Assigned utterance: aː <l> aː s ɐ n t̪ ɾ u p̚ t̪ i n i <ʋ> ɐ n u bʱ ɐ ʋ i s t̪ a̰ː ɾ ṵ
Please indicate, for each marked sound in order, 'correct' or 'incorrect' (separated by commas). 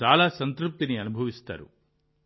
correct, incorrect